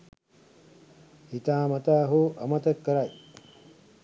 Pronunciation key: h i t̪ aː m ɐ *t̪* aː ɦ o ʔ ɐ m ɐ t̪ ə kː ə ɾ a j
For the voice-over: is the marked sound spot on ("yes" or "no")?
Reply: yes